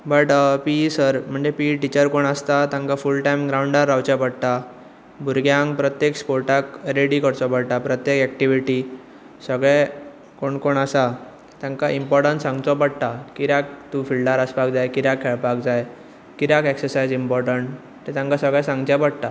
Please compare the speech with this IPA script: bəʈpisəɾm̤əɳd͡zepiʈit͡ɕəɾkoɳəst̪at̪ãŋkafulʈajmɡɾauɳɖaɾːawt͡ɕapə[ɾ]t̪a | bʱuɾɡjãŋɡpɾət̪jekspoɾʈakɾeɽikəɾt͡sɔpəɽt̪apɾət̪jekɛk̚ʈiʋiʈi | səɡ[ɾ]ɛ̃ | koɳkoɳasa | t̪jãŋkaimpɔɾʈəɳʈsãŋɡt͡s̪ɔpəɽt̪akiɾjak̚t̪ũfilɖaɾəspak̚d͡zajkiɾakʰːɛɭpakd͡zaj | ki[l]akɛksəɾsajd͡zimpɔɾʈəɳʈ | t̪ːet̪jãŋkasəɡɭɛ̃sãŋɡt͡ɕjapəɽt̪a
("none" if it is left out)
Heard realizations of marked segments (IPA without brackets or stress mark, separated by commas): ɽ, ɭ, ɾ